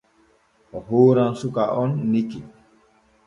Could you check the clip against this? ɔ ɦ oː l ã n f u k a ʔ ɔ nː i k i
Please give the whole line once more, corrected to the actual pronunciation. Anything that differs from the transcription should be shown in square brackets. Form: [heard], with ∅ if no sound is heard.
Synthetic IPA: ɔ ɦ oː [ɾ] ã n [s] u k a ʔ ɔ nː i k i